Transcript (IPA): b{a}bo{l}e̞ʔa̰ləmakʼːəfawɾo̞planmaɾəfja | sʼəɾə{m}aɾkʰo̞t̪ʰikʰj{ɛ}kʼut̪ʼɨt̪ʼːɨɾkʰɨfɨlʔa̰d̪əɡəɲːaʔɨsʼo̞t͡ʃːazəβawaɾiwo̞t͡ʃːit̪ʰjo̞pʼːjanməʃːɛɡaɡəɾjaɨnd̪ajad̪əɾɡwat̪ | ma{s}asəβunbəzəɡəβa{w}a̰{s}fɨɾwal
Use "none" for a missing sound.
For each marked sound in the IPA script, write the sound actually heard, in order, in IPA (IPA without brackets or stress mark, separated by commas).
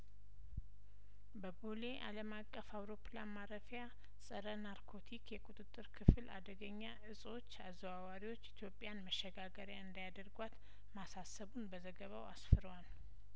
ə, l, n, ɛ, s, w, s